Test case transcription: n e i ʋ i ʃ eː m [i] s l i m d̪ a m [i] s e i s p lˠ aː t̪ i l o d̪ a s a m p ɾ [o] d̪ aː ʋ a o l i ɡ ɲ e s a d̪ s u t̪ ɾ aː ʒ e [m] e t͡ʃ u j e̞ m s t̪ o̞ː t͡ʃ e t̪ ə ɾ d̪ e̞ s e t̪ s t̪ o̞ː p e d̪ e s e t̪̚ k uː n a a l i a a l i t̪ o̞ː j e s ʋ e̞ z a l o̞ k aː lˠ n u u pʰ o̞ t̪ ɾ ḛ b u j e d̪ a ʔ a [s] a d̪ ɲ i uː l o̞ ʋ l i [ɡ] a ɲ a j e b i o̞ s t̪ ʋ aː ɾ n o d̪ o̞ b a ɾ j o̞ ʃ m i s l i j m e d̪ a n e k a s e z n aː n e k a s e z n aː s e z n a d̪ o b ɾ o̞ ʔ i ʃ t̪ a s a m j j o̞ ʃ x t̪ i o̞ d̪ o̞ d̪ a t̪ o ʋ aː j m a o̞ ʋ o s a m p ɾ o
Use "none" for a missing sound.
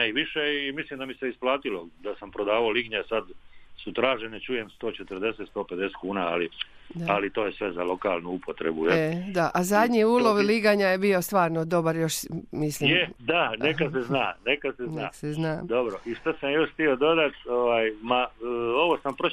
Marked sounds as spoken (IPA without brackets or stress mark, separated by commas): i, i, o, n, z, ɡ